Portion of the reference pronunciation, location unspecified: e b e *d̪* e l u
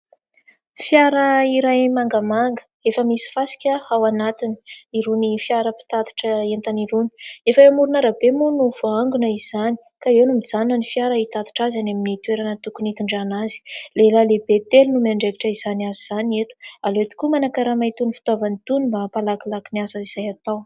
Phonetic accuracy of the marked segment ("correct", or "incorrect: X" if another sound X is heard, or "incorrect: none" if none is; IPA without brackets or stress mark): incorrect: t̪